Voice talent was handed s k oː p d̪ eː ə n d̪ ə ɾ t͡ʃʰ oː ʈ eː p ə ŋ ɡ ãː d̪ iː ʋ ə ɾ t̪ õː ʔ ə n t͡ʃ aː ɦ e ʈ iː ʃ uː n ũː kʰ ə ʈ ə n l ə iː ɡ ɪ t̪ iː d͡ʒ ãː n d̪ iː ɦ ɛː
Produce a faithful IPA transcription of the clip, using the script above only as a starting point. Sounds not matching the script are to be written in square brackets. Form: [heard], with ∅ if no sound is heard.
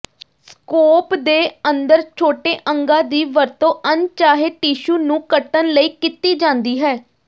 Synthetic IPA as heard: s k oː p d̪ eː ə n d̪ ə ɾ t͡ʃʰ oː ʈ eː [ʔ] ə ŋ ɡ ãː d̪ iː ʋ ə ɾ t̪ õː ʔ ə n t͡ʃ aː ɦ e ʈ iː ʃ uː n ũː [k] ə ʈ ə n l ə iː [k] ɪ t̪ iː d͡ʒ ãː n d̪ iː ɦ ɛː